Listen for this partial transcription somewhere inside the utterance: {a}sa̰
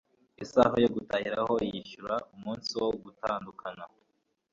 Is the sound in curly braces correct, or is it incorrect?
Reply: incorrect